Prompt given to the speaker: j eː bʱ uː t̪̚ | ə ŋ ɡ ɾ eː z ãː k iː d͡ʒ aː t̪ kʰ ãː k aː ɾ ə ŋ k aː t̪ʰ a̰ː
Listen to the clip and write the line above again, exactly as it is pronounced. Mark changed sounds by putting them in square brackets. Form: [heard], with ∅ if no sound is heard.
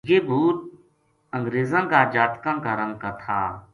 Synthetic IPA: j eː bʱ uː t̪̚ | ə ŋ ɡ ɾ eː z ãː k [aː] d͡ʒ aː t̪ [k] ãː k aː ɾ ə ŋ k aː t̪ʰ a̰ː